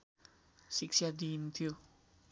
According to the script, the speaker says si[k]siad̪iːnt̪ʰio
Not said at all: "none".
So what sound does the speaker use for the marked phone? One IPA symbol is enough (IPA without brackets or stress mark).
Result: k